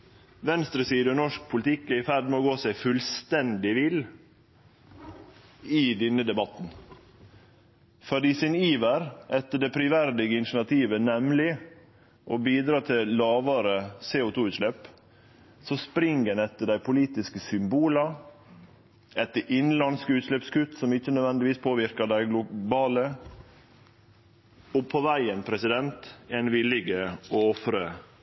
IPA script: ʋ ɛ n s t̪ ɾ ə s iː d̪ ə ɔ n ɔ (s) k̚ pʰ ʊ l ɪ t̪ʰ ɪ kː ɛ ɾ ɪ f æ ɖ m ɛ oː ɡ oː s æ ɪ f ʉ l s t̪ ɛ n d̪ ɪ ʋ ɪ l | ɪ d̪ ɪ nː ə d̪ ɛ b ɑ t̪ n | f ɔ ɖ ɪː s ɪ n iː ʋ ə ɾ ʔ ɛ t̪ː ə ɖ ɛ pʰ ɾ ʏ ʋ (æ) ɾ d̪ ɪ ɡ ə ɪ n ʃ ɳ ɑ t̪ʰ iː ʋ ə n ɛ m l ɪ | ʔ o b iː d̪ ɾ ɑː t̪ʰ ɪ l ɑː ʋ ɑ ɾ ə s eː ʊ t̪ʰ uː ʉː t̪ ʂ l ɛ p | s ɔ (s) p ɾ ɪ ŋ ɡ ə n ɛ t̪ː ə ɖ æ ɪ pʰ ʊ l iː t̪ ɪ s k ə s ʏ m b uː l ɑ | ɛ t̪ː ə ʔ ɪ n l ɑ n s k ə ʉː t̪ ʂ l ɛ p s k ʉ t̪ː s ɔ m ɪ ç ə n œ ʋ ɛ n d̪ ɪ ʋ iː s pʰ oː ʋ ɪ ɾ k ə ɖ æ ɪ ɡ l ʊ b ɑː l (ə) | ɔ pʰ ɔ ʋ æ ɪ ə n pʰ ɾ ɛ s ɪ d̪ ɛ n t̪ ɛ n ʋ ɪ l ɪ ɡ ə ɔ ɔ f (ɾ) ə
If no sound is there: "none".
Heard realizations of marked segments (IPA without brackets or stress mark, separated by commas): ʂ, æ, s, ə, ɾ